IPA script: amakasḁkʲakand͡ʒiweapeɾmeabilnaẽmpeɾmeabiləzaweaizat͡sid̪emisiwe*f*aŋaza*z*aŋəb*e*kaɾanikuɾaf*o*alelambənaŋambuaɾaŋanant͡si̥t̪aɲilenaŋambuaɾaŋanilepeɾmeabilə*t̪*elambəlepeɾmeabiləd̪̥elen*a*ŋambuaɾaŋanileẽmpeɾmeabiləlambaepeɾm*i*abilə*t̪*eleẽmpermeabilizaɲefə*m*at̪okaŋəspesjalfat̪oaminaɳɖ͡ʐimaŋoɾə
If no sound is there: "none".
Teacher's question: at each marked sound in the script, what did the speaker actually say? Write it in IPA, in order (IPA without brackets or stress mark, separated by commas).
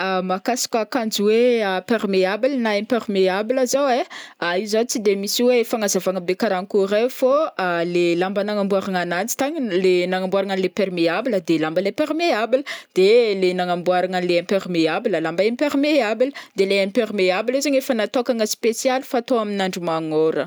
f, v, e, o, d̪, a, e, d̪, n